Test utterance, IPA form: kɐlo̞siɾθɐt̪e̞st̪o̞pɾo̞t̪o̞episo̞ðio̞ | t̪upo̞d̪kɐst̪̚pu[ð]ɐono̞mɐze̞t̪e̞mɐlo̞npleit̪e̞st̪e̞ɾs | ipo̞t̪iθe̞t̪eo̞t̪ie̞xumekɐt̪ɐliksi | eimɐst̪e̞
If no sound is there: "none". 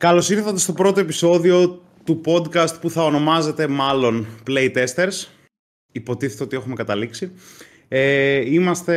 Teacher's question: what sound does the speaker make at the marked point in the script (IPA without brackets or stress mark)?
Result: θ